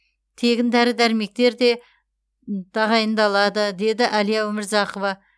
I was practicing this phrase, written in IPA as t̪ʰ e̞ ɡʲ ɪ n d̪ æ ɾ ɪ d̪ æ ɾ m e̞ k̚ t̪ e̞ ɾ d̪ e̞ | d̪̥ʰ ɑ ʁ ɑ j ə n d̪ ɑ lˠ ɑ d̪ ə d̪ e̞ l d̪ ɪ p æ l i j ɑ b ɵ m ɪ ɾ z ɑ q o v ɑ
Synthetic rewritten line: t̪ʰ e̞ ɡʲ ɪ n d̪ æ ɾ ɪ d̪ æ ɾ m e̞ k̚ t̪ e̞ ɾ d̪ e̞ | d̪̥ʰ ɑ ʁ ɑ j ə n d̪ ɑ lˠ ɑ d̪ ə d̪ e̞ d̪ ɪ ʔ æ l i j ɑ w ɵ m ɪ ɾ z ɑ q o v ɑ